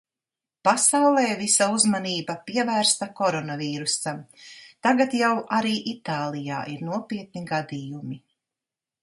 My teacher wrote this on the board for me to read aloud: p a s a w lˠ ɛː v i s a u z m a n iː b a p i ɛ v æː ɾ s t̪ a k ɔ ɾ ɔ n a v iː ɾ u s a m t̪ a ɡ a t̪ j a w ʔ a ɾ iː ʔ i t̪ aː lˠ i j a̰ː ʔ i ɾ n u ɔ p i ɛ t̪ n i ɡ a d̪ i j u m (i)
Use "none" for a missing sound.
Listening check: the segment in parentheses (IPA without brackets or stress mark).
i